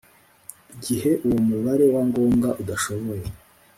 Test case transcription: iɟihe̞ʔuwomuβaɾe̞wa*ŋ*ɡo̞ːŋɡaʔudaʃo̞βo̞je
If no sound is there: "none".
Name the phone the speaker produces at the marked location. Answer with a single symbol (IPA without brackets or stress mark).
ŋ